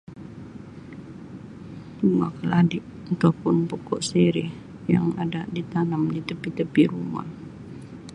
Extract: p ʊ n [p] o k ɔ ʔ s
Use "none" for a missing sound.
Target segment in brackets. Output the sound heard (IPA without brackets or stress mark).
p